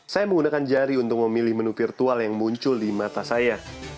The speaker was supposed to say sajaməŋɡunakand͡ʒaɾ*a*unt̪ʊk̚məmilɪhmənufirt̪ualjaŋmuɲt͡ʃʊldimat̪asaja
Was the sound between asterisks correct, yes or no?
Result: no